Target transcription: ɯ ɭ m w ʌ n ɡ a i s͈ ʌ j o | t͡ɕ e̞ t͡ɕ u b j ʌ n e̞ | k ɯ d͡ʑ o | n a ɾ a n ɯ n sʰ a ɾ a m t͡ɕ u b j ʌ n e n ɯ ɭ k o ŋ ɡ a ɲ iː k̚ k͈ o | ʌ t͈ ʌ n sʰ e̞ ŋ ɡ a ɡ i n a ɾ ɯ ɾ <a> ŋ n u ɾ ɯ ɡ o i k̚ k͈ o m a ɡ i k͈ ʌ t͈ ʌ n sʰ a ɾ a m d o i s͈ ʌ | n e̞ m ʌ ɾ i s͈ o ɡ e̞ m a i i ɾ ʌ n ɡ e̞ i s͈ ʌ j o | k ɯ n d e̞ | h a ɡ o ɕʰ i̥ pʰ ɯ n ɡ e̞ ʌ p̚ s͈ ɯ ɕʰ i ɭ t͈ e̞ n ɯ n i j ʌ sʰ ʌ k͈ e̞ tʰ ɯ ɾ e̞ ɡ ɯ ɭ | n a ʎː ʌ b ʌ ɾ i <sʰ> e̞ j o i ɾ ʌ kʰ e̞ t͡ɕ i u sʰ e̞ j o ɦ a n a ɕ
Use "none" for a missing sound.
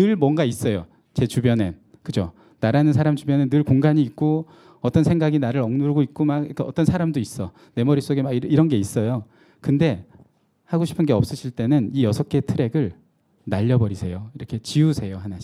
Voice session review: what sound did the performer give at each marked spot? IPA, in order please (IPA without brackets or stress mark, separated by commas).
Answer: ʌ, sʰ